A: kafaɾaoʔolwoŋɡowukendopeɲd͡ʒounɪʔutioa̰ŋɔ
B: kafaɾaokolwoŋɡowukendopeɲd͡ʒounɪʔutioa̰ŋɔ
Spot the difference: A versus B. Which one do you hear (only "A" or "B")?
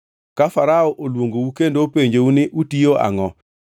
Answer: A